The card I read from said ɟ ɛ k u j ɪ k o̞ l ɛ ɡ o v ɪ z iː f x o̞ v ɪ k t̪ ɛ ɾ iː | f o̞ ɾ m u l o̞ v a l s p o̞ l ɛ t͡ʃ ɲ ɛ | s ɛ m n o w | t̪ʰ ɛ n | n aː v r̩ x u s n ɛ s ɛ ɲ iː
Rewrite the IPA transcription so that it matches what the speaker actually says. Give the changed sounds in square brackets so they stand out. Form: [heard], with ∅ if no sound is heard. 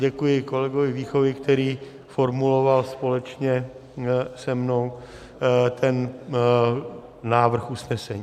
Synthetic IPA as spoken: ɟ ɛ k u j ɪ k o̞ l ɛ ɡ o v ɪ [v] iː [∅] x o̞ v ɪ k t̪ ɛ ɾ iː | f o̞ ɾ m u l o̞ v a l s p o̞ l ɛ t͡ʃ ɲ ɛ | s ɛ m n o w | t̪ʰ ɛ n | n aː v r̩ x u s n ɛ s ɛ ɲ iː